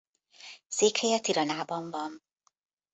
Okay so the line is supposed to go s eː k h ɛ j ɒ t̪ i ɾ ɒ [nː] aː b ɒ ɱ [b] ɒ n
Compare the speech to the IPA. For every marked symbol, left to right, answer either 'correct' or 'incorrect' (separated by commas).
incorrect, incorrect